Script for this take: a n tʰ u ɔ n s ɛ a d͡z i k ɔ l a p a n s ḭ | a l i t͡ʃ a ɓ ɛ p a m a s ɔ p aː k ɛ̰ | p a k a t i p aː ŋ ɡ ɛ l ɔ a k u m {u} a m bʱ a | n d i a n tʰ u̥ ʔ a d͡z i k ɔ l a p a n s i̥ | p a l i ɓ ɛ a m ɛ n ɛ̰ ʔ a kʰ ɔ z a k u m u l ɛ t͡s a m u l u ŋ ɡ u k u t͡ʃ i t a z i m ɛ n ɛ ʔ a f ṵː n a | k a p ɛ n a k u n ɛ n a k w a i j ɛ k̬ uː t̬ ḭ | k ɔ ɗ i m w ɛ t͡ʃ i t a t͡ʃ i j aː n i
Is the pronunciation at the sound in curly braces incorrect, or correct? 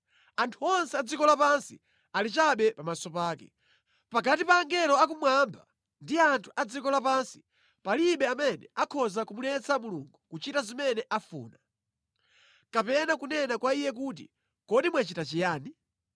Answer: incorrect: w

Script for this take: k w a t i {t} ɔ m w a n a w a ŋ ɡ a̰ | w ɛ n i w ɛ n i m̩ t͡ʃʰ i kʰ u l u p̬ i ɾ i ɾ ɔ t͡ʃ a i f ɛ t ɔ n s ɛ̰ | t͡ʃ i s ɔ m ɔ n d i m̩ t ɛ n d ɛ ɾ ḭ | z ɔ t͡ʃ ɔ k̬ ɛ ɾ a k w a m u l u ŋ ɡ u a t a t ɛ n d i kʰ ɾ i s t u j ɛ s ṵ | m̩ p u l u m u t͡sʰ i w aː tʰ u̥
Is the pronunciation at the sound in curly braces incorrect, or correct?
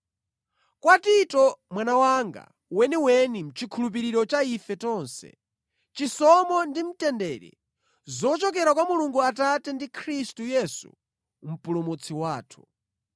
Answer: correct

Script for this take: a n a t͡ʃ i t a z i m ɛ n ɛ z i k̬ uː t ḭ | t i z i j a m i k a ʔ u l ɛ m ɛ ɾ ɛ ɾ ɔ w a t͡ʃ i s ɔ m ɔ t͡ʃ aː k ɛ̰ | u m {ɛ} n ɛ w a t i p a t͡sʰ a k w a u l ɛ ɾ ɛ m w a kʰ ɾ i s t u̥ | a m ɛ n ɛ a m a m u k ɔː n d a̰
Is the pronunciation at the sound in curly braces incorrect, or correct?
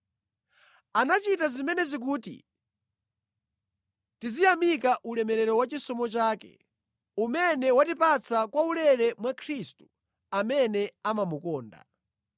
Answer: correct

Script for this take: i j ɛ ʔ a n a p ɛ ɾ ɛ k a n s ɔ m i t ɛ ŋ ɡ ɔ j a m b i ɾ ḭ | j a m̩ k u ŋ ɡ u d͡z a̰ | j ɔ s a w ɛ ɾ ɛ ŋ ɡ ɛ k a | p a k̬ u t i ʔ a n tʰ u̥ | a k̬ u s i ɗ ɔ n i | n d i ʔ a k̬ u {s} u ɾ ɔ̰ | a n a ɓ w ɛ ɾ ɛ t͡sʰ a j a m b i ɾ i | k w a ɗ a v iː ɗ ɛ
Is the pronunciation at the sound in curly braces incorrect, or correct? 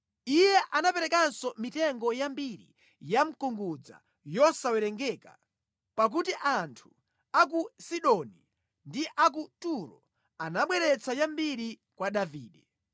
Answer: incorrect: t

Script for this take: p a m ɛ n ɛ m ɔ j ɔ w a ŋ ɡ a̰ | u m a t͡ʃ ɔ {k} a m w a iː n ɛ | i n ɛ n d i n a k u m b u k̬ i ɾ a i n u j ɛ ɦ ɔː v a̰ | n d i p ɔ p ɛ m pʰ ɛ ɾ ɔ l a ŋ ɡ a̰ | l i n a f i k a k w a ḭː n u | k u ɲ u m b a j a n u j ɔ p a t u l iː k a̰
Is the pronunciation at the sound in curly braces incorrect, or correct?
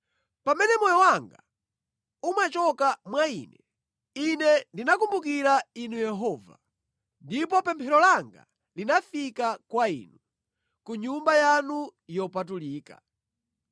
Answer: correct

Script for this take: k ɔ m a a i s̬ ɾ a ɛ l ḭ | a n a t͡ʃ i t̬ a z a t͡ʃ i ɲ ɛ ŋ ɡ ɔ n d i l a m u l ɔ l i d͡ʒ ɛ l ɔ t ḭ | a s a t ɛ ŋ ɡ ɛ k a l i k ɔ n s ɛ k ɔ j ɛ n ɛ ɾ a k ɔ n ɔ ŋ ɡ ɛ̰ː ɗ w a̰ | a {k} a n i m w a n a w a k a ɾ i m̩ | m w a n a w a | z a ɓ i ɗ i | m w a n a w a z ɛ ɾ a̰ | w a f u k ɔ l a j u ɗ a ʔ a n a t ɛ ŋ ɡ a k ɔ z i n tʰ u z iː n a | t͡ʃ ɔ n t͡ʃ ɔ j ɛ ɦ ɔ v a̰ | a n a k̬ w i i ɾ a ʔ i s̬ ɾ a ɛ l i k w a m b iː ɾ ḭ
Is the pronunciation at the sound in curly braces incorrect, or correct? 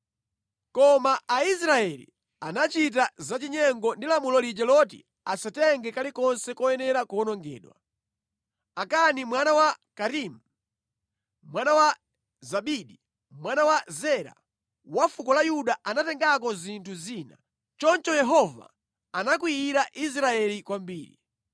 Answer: correct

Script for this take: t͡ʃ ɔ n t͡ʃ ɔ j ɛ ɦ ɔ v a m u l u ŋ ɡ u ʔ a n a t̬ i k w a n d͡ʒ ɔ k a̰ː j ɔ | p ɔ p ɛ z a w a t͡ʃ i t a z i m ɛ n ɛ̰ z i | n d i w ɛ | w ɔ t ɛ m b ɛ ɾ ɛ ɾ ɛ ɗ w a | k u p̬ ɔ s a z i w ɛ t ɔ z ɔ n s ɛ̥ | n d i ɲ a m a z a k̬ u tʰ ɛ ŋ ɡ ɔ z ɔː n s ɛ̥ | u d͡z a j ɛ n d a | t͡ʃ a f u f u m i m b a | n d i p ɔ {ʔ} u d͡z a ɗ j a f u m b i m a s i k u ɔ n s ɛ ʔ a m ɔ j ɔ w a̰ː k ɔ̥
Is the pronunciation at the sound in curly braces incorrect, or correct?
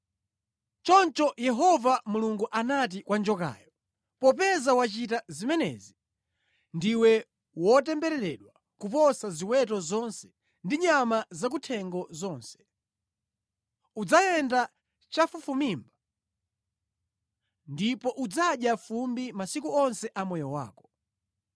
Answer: correct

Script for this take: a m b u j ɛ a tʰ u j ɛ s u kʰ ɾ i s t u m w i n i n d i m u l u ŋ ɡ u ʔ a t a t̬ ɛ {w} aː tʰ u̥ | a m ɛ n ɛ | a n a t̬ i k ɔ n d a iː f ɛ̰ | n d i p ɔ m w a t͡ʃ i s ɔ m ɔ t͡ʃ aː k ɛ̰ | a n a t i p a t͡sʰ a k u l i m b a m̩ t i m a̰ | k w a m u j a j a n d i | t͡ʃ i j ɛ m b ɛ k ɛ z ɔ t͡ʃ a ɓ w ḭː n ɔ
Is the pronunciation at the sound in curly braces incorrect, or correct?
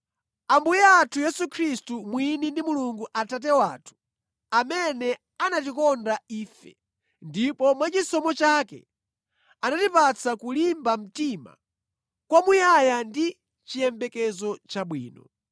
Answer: correct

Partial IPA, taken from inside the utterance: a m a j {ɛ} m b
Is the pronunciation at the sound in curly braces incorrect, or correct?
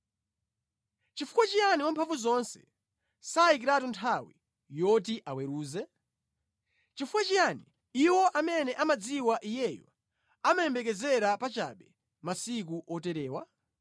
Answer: correct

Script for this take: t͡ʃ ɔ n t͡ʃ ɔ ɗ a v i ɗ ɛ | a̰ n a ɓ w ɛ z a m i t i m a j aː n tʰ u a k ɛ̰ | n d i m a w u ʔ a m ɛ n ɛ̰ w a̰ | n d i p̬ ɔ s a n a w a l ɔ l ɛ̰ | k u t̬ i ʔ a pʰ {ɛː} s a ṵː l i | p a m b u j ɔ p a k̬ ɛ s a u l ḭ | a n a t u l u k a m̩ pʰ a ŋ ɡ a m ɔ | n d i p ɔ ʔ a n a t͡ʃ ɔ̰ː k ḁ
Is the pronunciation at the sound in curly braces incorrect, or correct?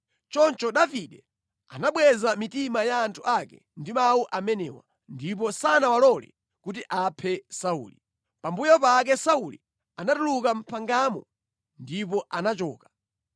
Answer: incorrect: ɛ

